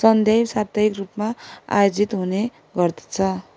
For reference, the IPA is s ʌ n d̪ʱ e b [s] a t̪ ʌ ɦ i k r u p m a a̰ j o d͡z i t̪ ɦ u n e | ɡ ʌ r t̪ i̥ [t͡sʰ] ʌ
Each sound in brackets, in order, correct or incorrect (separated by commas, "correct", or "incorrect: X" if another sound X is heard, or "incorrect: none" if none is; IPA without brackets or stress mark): correct, correct